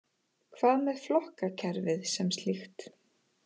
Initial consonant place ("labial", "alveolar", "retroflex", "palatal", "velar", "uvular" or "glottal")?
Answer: velar